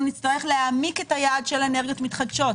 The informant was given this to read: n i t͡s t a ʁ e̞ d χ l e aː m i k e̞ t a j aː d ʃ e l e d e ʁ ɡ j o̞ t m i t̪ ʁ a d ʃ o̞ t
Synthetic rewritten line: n i t͡s t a ʁ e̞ χ l e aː m i k e̞ t a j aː d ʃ e l e n e ʁ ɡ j o̞ t m i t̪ χ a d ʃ o̞ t